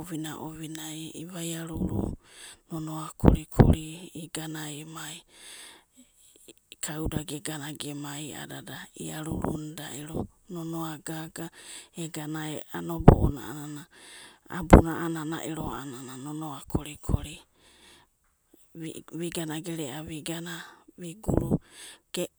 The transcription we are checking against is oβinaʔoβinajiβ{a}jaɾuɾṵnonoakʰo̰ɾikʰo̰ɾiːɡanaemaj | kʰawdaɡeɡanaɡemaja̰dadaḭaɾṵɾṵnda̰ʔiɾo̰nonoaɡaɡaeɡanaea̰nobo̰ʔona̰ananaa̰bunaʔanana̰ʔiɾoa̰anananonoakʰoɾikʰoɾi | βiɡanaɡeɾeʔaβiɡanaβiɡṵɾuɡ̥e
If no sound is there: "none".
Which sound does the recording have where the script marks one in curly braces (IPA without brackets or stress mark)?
a